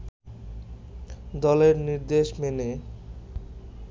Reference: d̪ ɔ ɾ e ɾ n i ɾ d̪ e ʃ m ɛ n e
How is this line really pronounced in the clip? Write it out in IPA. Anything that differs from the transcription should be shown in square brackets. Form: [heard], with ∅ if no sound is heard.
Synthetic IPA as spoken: d̪ ɔ [l] e ɾ n i ɾ d̪ e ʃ m [e] n e

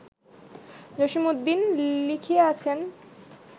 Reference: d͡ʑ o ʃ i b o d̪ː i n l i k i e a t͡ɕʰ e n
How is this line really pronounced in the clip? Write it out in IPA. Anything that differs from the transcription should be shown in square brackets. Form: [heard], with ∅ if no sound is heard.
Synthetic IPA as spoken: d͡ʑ o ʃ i [m] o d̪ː i n l i [kʰ] i e a t͡ɕʰ e n

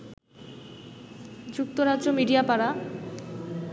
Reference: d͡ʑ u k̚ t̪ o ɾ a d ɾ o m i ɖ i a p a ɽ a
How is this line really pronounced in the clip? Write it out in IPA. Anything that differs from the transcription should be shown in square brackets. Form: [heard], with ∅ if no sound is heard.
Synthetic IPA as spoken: d͡ʑ u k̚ t̪ o ɾ a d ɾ o m i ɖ i a p a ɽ a

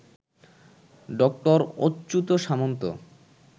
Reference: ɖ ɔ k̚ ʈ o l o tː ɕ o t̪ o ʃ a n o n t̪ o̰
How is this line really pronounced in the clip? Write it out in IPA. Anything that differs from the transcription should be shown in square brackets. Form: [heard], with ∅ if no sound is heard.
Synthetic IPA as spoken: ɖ ɔ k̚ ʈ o [ɾ] o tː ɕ [u] t̪ o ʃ a [m] o n t̪ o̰

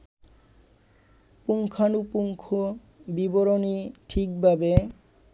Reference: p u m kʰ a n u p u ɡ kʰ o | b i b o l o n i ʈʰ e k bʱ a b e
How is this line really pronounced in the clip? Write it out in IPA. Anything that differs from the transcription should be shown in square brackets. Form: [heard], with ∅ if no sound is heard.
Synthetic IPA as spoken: p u [ŋ] kʰ a n u p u [ŋ] kʰ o | b i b o [ɾ] o n i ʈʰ [i] k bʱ a b e

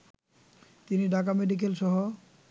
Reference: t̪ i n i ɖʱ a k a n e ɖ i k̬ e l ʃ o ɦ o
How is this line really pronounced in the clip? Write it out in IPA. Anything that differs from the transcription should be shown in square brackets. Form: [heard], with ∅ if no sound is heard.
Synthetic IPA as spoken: t̪ i n i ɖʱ a k a [m] e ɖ i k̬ e l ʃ [ɔ] ɦ o

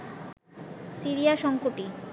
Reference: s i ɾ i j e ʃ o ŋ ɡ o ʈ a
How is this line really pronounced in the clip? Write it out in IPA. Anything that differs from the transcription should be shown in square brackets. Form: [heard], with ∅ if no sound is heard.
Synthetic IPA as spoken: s i ɾ i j [a] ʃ [ɔ] ŋ [k] o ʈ [i]

